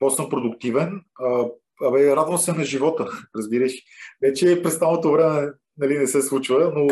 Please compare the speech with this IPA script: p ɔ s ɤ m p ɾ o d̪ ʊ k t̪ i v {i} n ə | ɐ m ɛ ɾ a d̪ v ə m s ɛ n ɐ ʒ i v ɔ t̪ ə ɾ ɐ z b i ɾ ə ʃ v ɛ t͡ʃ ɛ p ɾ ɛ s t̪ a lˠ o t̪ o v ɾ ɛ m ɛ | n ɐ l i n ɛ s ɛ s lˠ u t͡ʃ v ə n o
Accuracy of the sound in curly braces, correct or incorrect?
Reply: incorrect